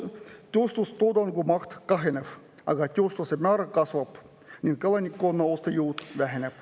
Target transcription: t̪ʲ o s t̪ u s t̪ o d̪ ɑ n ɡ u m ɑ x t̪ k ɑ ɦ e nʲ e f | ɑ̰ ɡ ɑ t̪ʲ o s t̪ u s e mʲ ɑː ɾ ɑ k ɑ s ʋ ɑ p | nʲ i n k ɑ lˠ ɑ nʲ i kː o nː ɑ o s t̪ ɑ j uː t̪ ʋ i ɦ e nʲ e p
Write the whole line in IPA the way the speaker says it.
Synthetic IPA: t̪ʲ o s t̪ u s t̪ o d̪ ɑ n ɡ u m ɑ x t̪ k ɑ ɦ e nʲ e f | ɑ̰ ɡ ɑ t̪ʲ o s t̪ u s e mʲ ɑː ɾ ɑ k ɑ s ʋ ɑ p | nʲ i n k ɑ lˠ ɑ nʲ i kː o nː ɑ o s t̪ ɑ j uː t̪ ʋ æ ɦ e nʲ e p